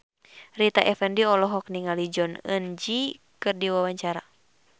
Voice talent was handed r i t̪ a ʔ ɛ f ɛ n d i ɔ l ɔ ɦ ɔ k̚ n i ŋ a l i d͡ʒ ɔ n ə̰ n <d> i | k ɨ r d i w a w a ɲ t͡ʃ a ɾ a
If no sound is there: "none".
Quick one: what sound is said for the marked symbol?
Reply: d͡ʒ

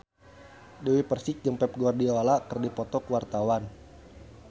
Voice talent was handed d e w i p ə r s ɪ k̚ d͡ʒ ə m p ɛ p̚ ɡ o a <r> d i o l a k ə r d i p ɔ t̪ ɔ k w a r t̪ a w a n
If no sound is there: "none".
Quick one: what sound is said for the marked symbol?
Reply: r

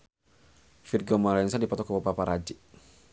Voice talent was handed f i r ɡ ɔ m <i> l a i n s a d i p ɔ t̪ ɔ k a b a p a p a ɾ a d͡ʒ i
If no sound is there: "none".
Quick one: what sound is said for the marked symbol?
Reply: a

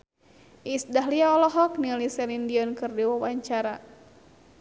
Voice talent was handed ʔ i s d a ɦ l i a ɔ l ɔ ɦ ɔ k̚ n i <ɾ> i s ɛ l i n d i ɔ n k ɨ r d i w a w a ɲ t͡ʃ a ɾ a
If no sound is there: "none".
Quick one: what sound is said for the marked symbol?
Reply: l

